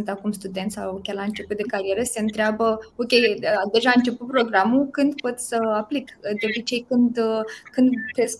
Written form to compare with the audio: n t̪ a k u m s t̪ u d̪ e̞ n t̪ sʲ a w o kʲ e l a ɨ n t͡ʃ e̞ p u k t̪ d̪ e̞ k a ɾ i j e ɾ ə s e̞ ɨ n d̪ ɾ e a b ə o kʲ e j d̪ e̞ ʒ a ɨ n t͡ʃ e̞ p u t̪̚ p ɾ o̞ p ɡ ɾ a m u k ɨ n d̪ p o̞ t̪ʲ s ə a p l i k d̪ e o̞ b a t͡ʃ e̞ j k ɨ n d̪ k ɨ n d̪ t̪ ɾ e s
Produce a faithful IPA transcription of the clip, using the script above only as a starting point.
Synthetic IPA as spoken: n t̪ a k u m s t̪ u d̪ e̞ n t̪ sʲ a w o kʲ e l a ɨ n t͡ʃ e̞ p u t̪ d̪ e̞ k a ɾ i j e ɾ ə s e̞ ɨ n t̪ ɾ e a b ə o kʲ e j d̪ e̞ ʒ a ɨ n t͡ʃ e̞ p u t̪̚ p ɾ o̞ ɡ ɾ a m u k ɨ n d̪ p o̞ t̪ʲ s ə a p l i k d̪ e o̞ b i t͡ʃ e̞ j k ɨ n d̪ k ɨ n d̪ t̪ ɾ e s